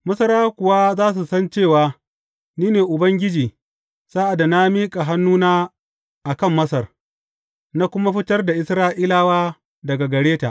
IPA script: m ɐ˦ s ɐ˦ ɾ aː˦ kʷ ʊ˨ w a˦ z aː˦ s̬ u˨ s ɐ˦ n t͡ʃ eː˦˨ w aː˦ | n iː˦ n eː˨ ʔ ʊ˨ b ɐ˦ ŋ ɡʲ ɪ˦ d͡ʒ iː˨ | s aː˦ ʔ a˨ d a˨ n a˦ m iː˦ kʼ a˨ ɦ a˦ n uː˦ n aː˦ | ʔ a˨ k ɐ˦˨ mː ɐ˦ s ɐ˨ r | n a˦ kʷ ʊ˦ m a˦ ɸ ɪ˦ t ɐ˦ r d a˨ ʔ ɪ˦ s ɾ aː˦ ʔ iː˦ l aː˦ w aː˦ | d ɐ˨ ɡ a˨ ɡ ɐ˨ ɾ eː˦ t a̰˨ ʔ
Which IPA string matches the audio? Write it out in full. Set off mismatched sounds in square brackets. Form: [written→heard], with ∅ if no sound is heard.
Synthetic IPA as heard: m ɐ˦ s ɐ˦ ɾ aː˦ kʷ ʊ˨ w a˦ z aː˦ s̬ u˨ s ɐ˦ n t͡ʃ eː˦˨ w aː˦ | n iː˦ n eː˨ ʔ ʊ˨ b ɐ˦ ŋ ɡʲ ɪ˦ d͡ʒ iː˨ | s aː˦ ʔ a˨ d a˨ n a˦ m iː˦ kʼ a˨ ɦ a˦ [n→nː] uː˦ n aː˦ | ʔ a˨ k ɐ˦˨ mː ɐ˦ s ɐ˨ r | n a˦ kʷ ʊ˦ m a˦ ɸ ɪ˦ t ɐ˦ r d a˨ ʔ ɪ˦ s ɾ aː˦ ʔ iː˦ l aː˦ w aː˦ | d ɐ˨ ɡ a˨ ɡ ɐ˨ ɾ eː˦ t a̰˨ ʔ